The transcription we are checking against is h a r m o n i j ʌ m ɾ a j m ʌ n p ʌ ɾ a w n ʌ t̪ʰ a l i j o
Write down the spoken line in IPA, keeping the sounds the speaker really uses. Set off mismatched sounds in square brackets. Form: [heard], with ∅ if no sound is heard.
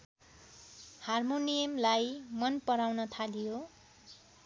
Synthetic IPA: h a r m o n i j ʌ m [l] a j m ʌ n p ʌ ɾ a w n ʌ t̪ʰ a l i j o

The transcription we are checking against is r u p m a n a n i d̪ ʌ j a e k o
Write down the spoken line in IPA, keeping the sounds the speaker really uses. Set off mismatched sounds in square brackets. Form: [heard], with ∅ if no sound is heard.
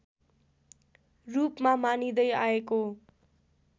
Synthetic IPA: r u p m a [m] a n i d̪ ʌ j a e k o

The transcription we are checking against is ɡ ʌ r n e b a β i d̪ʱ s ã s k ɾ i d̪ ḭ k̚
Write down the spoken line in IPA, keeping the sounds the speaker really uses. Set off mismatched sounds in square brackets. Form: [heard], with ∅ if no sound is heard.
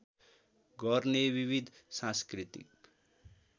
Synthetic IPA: ɡ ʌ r n e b [i] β i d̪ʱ s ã s k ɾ i [t̪] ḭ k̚

